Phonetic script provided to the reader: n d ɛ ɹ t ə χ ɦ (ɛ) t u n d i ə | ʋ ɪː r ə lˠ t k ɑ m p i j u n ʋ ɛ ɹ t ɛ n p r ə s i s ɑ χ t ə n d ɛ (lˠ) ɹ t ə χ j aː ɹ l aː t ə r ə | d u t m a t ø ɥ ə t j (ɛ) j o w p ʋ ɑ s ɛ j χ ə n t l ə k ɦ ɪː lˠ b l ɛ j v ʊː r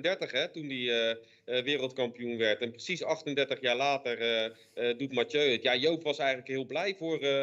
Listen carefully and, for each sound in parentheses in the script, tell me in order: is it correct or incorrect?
correct, incorrect: none, incorrect: a

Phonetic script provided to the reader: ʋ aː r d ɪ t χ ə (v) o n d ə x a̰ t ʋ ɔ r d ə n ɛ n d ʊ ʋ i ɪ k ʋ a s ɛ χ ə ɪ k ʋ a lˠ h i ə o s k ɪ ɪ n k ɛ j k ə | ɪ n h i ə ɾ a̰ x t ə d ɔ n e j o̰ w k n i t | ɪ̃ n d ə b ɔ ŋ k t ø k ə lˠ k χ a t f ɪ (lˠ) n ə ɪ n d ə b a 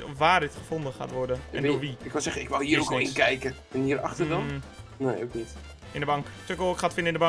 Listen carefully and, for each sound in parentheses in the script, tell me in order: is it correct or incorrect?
incorrect: f, incorrect: none

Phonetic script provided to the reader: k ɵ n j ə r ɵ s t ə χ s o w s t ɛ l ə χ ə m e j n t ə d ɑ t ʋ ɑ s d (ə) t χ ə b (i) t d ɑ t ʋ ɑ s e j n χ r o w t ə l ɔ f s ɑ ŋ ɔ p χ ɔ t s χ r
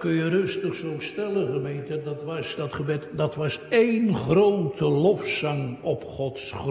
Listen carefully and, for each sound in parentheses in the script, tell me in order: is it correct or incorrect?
incorrect: ɑ, incorrect: ɛ

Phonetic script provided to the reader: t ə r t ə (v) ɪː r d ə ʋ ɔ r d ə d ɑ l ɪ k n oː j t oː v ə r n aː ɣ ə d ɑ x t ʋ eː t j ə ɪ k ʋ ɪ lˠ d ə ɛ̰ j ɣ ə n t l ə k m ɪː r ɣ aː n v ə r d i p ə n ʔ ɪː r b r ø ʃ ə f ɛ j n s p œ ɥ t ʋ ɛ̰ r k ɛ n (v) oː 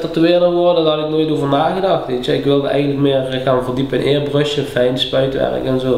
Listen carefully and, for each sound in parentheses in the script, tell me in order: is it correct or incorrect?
incorrect: ʋ, incorrect: z

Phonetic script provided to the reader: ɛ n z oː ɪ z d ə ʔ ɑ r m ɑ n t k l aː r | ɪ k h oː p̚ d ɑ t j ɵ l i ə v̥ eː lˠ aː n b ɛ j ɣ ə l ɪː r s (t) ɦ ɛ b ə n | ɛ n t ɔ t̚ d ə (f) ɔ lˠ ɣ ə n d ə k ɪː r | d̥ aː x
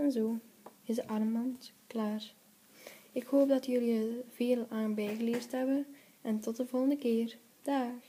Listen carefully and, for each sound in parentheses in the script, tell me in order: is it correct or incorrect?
correct, incorrect: v

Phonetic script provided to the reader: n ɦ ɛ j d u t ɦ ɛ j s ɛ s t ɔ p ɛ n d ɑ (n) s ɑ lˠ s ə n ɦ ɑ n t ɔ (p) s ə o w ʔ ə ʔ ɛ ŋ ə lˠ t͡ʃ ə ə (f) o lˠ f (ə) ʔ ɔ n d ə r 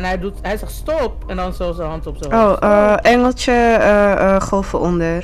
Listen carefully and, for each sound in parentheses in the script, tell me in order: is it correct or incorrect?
correct, correct, incorrect: χ, correct

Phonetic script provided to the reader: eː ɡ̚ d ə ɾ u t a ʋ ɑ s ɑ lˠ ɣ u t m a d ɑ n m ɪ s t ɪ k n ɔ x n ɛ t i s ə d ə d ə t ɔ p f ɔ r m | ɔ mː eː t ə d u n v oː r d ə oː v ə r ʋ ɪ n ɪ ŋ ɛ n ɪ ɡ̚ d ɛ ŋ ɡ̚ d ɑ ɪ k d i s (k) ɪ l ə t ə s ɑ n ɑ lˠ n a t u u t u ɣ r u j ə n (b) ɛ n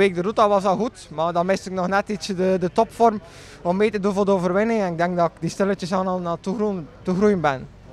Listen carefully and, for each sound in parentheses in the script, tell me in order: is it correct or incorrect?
incorrect: t, correct

